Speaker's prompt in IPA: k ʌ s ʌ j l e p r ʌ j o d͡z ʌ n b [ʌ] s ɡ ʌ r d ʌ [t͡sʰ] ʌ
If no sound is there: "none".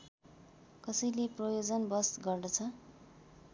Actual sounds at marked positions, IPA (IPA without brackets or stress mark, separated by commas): ʌ, t͡sʰ